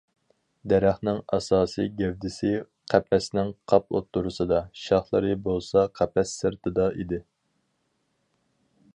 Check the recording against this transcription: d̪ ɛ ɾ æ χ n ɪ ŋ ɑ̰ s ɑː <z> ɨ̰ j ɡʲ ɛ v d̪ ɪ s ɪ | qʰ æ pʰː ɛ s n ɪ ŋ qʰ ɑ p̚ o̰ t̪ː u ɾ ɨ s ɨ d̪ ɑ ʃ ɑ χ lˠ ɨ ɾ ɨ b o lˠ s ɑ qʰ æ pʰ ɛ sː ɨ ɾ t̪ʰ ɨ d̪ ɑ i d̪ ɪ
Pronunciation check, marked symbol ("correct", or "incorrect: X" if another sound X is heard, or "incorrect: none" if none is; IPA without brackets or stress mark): incorrect: s